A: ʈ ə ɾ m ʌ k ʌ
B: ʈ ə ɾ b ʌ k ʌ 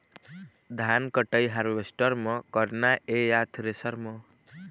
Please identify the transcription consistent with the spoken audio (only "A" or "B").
A